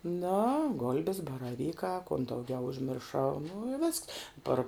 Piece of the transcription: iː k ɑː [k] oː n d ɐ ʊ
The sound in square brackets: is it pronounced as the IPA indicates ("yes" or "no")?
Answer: yes